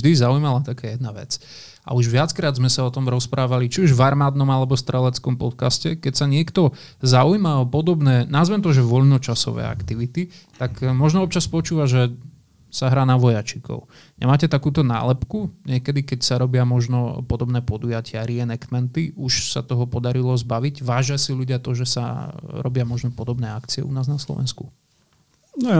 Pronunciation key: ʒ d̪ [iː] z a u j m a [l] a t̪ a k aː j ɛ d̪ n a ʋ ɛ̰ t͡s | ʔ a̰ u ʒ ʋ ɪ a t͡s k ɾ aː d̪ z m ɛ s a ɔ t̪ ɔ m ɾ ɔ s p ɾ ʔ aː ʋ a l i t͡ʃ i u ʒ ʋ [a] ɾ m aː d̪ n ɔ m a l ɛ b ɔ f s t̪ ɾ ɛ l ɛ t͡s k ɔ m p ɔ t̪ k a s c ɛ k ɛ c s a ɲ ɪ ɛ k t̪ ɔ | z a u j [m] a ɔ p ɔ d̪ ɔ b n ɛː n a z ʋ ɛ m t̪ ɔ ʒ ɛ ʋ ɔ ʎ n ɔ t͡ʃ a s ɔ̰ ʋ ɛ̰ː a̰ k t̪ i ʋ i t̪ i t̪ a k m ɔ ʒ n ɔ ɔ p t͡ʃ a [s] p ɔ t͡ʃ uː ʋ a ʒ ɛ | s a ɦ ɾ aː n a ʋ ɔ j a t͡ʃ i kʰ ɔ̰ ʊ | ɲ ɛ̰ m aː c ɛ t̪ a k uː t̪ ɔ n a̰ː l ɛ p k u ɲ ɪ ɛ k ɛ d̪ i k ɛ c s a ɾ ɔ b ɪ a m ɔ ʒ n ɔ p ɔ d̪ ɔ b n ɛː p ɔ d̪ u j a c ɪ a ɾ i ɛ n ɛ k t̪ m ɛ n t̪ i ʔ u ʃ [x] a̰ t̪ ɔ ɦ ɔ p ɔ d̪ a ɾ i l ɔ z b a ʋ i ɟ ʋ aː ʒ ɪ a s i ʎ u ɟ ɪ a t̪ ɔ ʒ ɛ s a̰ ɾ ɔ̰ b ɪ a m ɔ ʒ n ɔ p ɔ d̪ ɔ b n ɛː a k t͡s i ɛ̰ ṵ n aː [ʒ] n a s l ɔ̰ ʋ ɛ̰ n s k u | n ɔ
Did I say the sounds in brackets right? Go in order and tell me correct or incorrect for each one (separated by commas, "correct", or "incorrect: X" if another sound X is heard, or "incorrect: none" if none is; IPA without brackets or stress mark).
incorrect: i, correct, correct, correct, correct, incorrect: s, incorrect: z